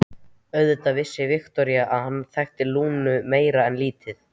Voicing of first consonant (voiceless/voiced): voiced